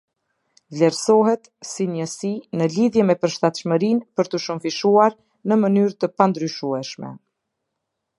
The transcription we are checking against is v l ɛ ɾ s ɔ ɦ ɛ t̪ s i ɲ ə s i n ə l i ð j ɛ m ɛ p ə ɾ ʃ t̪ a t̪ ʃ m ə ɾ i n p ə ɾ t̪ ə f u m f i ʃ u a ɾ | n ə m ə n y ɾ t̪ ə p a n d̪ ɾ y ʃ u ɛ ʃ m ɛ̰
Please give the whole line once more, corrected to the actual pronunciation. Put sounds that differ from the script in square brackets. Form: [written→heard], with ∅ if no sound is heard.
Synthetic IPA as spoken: v l ɛ ɾ s ɔ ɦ ɛ t̪ s i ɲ ə s i n ə l i ð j ɛ m ɛ p ə ɾ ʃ t̪ a t̪ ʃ m ə ɾ i n p ə ɾ t̪ ə [f→ʃ] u m f i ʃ u a ɾ | n ə m ə n y ɾ t̪ ə p a n d̪ ɾ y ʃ u ɛ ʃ m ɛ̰